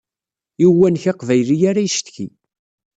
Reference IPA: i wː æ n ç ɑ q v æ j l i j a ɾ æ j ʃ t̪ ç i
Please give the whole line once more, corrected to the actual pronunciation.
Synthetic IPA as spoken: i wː æ n ç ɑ q v æ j l i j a ɾ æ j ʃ t̪ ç i